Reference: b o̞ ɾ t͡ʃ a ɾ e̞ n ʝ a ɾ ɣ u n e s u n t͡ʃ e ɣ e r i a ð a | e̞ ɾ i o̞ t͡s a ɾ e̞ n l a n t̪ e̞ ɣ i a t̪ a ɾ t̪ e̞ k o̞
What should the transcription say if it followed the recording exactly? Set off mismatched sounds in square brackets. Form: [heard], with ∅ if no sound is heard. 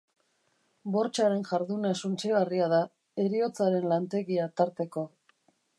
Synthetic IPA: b o̞ ɾ t͡ʃ a ɾ e̞ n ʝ a ɾ [ð] u n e s u n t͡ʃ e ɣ [a] r i a ð a | e̞ ɾ i o̞ t͡s a ɾ e̞ n l a n t̪ e̞ ɣ i a t̪ a ɾ t̪ e̞ k o̞

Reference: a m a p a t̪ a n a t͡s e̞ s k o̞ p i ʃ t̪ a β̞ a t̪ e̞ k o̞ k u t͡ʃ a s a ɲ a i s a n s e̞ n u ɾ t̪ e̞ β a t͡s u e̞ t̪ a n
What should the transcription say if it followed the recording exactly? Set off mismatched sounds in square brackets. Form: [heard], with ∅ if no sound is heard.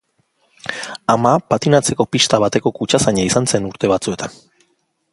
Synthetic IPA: a m a p a t̪ [i] n a t͡s e̞ [∅] k o̞ p i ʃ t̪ a β̞ a t̪ e̞ k o̞ k u t͡ʃ a s a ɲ a i s a n s e̞ n u ɾ t̪ e̞ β a t͡s u e̞ t̪ a n

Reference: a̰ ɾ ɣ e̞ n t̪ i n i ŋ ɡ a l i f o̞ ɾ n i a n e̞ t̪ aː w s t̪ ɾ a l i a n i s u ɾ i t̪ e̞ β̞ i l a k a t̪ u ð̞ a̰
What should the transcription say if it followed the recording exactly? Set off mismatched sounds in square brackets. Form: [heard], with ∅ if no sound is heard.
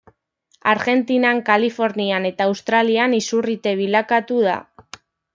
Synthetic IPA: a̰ ɾ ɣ e̞ n t̪ i n [a] ŋ [k] a l i f o̞ ɾ n i a n e̞ t̪ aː w s t̪ ɾ a l i a n i s u [r] i t̪ e̞ β̞ i l a k a t̪ u ð̞ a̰

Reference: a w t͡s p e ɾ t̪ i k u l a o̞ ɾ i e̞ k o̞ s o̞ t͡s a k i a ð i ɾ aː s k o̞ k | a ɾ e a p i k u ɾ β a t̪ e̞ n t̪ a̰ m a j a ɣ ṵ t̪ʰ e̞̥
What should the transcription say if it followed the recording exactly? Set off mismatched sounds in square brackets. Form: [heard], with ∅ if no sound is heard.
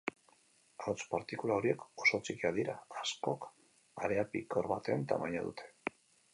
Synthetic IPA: a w t͡s p [a] ɾ t̪ i k u l a o̞ ɾ i e̞ k o̞ s o̞ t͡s [i] k i a ð i ɾ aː s k o̞ k | a ɾ e a p i k [o] ɾ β a t̪ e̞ n t̪ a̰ m a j a [ð] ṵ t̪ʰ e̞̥

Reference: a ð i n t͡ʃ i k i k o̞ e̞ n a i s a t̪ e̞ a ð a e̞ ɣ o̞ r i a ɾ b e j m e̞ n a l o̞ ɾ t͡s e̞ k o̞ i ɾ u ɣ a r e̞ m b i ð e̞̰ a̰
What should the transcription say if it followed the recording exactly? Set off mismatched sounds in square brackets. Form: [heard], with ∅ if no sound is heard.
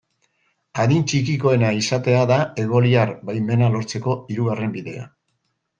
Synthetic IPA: a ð i n t͡ʃ i k i k o̞ e̞ n a i s a t̪ e̞ a ð a e̞ ɣ o̞ [l] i a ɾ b [a] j m e̞ n a l o̞ ɾ t͡s e̞ k o̞ i ɾ u ɣ a r e̞ m b i ð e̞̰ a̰

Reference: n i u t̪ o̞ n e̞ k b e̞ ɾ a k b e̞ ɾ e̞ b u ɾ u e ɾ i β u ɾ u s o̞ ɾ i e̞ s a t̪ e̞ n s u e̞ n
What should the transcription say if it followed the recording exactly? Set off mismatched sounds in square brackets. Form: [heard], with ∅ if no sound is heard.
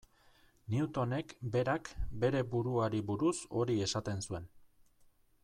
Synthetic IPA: n i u t̪ o̞ n e̞ k b e̞ ɾ a k b e̞ ɾ e̞ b u ɾ u [a] ɾ i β u ɾ u s o̞ ɾ i e̞ s a t̪ e̞ n s u e̞ n

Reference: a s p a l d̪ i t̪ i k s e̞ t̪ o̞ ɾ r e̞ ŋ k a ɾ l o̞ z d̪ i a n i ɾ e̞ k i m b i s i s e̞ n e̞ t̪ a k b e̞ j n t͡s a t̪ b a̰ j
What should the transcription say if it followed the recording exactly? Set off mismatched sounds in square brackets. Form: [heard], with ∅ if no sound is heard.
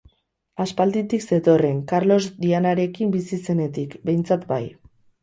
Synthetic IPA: a s p a l d̪ i t̪ i k s e̞ t̪ o̞ [∅] r e̞ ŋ k a ɾ l o̞ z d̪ i a n [a] ɾ e̞ k i m b i s i s e̞ n e̞ t̪ [i] k b e̞ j n t͡s a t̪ b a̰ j

